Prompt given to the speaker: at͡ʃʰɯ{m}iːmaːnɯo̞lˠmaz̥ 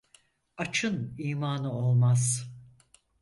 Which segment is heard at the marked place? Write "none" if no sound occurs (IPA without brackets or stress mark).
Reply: n